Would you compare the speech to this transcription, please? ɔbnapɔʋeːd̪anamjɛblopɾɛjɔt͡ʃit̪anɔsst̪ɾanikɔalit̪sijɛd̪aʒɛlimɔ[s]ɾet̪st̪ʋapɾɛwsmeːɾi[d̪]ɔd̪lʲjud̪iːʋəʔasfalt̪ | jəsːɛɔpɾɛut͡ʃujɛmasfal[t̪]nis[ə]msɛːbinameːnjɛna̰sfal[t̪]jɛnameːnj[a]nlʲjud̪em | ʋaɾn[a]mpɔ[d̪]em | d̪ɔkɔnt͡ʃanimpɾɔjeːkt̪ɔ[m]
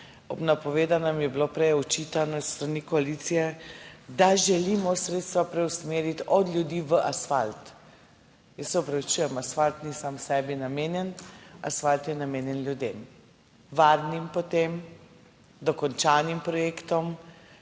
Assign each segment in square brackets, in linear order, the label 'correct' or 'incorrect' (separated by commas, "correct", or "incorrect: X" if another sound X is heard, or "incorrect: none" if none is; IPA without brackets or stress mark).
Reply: correct, incorrect: t̪, correct, incorrect: a, correct, incorrect: ɛ, incorrect: i, incorrect: t̪, correct